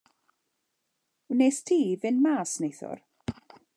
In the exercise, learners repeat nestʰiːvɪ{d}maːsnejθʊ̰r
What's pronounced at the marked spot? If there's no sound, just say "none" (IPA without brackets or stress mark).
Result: n